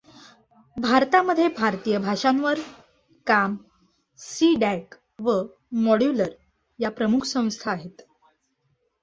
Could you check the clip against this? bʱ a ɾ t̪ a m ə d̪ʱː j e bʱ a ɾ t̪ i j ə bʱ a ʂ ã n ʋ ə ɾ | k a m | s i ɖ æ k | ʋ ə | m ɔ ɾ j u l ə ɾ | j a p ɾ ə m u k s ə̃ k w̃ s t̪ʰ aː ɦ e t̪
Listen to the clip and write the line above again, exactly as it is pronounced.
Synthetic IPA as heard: bʱ a ɾ t̪ a m ə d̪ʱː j e bʱ a ɾ t̪ i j ə bʱ a ʂ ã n ʋ ə ɾ | k a m | s i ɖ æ k | ʋ ə | m ɔ ɽ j u l ə ɾ | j a p ɾ ə m u kʰ s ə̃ w̃ s t̪ʰ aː ɦ e t̪